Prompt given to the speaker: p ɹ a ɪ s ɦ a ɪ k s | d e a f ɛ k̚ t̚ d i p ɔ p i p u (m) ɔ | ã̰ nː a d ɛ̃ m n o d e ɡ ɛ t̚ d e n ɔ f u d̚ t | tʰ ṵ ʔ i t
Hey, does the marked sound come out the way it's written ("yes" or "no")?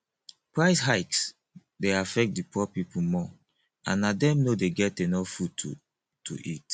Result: yes